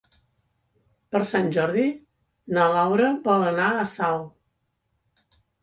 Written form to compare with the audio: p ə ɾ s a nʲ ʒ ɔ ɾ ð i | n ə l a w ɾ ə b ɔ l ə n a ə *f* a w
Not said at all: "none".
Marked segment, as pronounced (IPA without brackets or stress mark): s